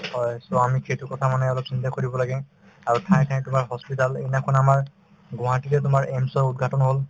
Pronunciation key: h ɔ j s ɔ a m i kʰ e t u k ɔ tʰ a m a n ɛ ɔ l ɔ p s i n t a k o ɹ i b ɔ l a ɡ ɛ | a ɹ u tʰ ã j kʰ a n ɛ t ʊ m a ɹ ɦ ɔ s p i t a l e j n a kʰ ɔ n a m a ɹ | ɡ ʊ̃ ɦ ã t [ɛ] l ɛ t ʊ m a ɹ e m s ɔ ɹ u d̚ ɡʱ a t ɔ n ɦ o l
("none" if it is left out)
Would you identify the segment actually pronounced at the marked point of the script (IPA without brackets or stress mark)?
i